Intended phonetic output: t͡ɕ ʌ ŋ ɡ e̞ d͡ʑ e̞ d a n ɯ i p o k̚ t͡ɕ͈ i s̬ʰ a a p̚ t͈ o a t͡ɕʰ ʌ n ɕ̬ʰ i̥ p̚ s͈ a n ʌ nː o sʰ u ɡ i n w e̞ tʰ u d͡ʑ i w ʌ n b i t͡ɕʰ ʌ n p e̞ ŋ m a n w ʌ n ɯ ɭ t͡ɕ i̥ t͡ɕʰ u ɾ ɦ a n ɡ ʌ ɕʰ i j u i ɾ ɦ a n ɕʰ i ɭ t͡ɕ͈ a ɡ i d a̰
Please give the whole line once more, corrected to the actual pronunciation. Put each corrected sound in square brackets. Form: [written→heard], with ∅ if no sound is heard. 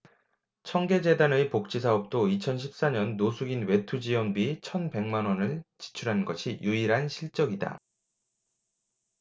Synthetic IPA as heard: [t͡ɕ→t͡ɕʰ] ʌ ŋ ɡ e̞ d͡ʑ e̞ d a n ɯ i p o k̚ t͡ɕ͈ i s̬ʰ a [a→ʌ] p̚ t͈ o [a→i] t͡ɕʰ ʌ n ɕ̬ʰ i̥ p̚ s͈ a [n→ɲ] ʌ nː o sʰ u ɡ i n w e̞ tʰ u d͡ʑ i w ʌ n b i t͡ɕʰ ʌ n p e̞ ŋ m a n w ʌ n ɯ ɭ t͡ɕ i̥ t͡ɕʰ u ɾ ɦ a n ɡ ʌ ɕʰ i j u i ɾ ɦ a n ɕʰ i ɭ t͡ɕ͈ [a→ʌ] ɡ i d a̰